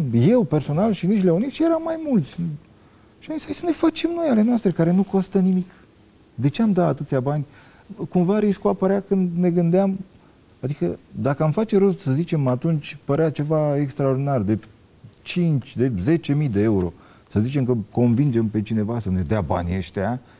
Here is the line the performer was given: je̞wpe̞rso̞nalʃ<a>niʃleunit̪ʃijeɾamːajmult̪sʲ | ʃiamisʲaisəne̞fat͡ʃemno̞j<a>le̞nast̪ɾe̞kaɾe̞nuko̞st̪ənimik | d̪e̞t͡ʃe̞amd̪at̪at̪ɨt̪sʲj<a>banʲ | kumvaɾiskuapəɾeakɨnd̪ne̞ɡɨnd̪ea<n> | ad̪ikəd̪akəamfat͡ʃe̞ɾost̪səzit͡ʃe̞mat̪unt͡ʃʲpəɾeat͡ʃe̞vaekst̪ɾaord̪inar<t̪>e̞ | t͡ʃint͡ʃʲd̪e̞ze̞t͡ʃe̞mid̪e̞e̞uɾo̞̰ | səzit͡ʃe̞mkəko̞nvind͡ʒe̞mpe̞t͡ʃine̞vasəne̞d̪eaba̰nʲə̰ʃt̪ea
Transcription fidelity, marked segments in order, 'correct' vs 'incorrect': incorrect: i, correct, correct, incorrect: m, incorrect: d̪

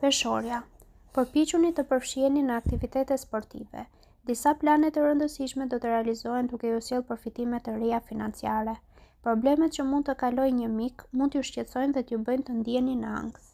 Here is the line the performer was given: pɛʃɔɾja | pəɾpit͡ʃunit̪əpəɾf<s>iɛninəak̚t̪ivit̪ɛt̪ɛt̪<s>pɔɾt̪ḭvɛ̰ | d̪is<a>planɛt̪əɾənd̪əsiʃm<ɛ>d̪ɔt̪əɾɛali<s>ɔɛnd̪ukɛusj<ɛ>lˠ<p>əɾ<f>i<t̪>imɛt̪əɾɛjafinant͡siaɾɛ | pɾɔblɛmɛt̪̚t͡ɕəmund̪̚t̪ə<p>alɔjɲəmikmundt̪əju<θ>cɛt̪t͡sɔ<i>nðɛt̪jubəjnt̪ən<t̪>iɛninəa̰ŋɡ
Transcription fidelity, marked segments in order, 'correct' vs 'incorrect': incorrect: ʃ, correct, correct, correct, incorrect: z, correct, correct, correct, correct, incorrect: k, incorrect: ʃ, incorrect: j, incorrect: d̪

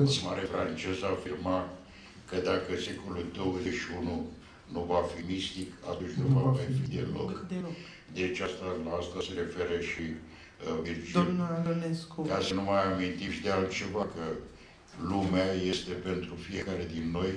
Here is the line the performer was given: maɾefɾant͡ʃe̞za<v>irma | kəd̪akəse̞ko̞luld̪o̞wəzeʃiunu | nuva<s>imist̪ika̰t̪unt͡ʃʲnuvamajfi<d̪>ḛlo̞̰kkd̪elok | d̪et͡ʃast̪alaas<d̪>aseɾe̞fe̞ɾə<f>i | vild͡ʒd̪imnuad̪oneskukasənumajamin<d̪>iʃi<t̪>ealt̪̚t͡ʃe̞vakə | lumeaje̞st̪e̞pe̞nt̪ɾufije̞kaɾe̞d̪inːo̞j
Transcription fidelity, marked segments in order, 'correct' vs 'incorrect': incorrect: f, incorrect: f, correct, incorrect: t̪, incorrect: ʃ, incorrect: t̪, incorrect: d̪

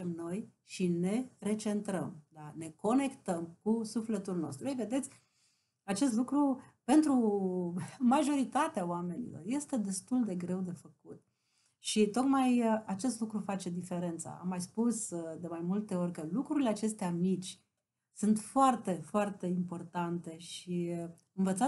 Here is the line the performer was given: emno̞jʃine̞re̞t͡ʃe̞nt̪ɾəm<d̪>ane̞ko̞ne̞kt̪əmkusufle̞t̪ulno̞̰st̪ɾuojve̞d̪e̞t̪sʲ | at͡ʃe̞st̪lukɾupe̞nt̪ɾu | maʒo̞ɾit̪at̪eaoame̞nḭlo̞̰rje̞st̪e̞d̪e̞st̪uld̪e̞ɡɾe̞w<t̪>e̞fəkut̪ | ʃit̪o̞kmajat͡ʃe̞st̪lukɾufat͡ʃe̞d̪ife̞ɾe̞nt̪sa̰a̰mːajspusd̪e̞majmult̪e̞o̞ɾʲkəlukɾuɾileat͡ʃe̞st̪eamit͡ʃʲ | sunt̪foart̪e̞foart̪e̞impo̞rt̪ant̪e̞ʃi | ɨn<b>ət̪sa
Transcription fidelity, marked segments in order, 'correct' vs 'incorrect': correct, incorrect: d̪, incorrect: v

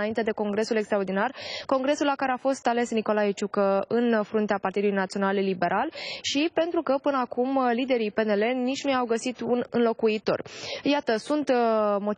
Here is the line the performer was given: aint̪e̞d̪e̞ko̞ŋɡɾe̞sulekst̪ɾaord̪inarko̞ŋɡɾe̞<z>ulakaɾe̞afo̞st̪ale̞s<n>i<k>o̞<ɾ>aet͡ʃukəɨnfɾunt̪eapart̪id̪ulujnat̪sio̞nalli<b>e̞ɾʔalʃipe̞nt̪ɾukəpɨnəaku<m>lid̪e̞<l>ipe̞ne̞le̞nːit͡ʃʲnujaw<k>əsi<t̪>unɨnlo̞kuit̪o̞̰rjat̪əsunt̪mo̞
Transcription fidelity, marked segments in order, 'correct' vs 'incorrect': incorrect: s, correct, correct, incorrect: l, correct, correct, incorrect: ɾ, incorrect: ɡ, correct

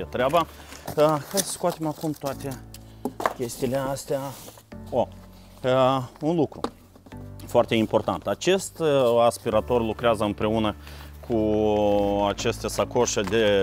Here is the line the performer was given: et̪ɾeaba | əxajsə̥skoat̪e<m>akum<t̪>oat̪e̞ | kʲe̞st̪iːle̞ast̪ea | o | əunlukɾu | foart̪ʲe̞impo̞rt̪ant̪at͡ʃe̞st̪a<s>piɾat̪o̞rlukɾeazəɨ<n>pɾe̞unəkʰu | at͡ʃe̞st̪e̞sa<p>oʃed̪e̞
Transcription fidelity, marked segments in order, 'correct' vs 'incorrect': correct, correct, correct, incorrect: m, incorrect: k

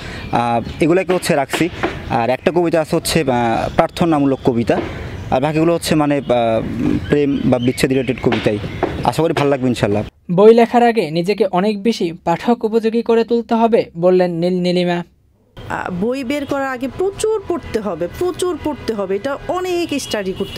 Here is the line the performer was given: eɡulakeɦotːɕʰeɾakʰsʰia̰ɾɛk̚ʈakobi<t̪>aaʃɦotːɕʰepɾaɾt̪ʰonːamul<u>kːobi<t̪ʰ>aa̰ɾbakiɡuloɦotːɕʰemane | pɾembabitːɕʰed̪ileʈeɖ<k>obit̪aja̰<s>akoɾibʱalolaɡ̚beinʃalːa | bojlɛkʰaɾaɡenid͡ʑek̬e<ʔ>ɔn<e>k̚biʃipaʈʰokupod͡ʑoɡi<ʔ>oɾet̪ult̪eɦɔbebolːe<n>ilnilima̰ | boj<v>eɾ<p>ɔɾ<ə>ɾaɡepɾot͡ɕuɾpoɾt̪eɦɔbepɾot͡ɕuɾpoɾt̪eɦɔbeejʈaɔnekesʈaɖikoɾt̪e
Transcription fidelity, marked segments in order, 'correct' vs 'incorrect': correct, incorrect: o, incorrect: t̪, correct, incorrect: ʃ, correct, correct, incorrect: k, incorrect: nː, incorrect: b, incorrect: k, incorrect: a

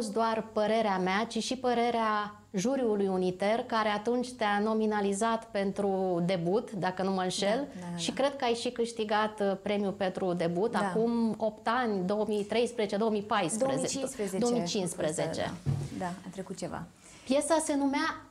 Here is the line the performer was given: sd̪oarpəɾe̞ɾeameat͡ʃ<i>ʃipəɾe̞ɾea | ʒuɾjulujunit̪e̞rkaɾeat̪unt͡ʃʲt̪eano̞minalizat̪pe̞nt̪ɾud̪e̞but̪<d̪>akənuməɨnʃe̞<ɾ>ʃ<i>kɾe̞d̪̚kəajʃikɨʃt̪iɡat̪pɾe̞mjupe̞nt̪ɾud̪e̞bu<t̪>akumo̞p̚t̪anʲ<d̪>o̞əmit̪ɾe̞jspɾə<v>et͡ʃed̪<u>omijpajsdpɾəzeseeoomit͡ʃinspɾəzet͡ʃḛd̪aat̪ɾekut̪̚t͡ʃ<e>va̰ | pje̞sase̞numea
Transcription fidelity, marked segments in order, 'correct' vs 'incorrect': correct, correct, incorrect: l, correct, correct, correct, incorrect: z, incorrect: o, correct

